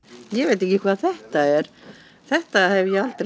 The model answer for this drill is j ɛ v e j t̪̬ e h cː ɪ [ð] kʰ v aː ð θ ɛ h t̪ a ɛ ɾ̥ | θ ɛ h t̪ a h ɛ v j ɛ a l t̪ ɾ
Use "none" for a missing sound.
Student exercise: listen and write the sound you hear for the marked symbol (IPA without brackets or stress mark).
none